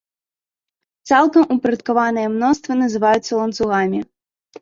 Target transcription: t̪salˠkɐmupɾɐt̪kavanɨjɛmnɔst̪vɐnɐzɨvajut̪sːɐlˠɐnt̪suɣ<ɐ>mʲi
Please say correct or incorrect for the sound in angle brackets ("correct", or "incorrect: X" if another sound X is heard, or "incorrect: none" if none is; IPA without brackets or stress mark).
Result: incorrect: a